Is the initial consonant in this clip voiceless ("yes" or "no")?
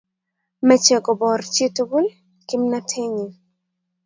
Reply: no